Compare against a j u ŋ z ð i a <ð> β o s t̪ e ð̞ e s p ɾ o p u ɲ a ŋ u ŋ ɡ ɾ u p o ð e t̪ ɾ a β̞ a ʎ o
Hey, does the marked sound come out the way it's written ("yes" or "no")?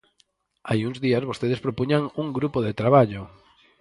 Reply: no